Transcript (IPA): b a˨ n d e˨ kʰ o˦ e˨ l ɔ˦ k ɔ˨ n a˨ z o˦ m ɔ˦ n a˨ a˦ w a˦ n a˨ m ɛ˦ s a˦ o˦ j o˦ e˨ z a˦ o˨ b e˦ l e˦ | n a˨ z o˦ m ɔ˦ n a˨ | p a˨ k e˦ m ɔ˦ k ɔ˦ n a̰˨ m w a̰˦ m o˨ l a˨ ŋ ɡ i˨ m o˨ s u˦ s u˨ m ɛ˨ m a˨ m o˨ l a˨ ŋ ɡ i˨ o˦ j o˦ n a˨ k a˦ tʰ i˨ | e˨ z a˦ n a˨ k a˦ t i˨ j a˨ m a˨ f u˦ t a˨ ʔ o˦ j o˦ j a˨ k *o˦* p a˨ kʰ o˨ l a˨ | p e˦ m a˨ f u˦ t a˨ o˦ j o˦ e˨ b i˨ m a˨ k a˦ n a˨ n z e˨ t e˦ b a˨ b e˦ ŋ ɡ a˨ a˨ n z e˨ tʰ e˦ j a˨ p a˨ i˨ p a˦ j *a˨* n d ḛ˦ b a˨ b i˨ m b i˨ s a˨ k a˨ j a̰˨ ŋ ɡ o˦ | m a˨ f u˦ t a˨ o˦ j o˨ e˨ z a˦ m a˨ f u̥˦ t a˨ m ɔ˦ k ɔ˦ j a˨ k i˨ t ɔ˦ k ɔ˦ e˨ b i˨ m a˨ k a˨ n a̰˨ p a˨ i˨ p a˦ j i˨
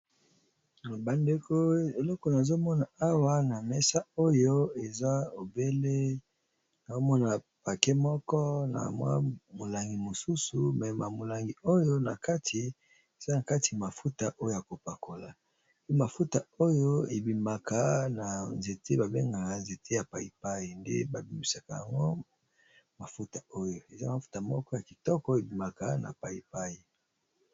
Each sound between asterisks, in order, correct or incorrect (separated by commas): incorrect, incorrect